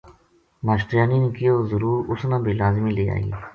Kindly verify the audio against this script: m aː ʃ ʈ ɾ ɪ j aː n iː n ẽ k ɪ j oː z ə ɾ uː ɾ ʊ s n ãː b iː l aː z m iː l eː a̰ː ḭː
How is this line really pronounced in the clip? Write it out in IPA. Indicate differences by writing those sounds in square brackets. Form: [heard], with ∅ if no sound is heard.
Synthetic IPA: m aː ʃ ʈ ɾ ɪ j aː n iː n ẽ k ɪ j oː z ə ɾ uː ɾ ʊ s n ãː b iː l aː z m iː l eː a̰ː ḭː